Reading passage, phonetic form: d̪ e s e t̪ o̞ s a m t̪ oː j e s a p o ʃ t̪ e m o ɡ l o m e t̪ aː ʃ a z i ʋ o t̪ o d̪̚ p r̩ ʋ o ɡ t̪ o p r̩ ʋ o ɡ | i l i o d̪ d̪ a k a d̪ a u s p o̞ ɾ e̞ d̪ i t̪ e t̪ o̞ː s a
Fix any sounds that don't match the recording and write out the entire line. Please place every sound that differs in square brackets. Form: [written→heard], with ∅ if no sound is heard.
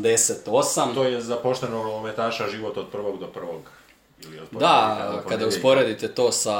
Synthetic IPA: d̪ e s e t̪ o̞ s a m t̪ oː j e [s→z] a p o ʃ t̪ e [m→n] o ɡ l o m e t̪ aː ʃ a [z→ʒ] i ʋ o t̪ o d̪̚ p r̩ ʋ o ɡ [t̪→d̪] o p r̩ ʋ o ɡ | i l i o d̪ d̪ a k a d̪ a u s p o̞ ɾ e̞ d̪ i t̪ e t̪ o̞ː s a